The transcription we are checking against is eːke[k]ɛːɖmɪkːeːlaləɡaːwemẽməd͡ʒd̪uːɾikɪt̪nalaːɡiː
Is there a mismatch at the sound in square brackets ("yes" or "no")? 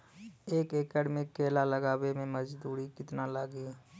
no